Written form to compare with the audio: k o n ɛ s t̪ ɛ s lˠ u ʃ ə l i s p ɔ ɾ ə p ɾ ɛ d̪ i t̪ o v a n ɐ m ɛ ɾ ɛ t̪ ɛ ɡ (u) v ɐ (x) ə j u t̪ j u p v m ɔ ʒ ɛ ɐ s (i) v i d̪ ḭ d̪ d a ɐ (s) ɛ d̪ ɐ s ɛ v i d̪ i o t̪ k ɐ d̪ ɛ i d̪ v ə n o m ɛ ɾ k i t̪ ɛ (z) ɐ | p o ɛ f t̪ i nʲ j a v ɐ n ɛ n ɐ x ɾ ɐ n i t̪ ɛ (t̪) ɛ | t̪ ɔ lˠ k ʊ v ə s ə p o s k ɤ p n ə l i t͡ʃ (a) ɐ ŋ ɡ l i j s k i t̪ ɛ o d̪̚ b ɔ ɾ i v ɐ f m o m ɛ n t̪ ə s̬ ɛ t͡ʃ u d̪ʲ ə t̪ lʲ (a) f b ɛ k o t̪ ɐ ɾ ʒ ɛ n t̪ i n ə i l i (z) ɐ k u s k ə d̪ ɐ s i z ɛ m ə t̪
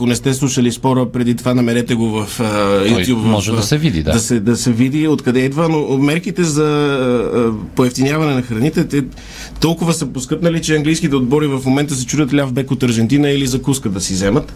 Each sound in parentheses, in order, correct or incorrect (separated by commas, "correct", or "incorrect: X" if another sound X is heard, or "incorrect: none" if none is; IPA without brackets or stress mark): incorrect: o, incorrect: f, incorrect: ɛ, correct, correct, correct, incorrect: ɛ, correct, correct